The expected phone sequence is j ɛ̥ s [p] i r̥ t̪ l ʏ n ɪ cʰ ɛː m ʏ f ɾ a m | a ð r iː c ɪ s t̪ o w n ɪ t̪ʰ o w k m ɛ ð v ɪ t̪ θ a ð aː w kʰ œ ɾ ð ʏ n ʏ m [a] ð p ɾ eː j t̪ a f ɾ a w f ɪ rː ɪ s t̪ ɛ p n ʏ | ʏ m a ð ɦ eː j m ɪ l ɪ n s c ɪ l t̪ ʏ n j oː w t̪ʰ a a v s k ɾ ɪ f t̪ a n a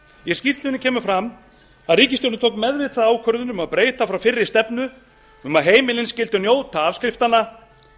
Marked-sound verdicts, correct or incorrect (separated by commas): incorrect, correct